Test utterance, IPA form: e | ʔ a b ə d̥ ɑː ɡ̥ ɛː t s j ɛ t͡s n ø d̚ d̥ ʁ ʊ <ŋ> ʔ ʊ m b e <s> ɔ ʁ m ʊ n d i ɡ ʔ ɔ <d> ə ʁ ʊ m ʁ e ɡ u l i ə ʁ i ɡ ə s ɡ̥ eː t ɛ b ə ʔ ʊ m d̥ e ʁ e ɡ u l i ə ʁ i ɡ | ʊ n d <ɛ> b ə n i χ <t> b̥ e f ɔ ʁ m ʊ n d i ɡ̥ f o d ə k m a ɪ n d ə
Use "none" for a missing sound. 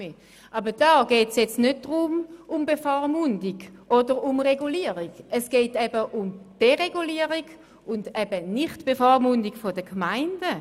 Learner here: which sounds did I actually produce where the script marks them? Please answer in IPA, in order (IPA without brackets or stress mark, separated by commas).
m, f, d, ɛ, t